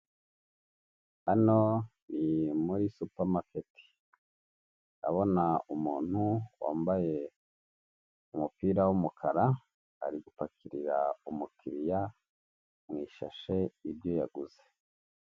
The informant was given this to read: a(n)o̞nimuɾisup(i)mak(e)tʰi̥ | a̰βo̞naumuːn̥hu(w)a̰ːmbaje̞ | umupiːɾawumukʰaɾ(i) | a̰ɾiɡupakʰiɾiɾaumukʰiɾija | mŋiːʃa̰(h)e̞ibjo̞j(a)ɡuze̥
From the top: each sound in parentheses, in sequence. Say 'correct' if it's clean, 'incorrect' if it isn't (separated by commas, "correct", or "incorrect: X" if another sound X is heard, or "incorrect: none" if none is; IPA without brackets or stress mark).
correct, incorrect: a, correct, correct, incorrect: a, incorrect: ʃ, correct